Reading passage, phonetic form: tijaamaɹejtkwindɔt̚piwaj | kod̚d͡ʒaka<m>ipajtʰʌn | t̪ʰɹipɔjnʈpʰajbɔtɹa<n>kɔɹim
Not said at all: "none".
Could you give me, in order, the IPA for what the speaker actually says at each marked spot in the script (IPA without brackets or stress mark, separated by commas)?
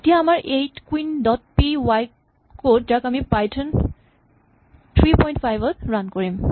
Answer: m, n